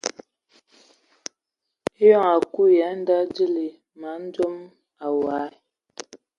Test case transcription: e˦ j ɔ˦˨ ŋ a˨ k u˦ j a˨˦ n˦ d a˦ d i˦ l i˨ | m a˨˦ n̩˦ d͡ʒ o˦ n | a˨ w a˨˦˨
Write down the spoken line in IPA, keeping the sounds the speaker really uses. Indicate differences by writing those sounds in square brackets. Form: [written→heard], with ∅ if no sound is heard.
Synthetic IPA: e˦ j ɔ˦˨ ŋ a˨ k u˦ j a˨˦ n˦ d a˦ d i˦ l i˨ | m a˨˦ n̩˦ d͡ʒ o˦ [n→m] | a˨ w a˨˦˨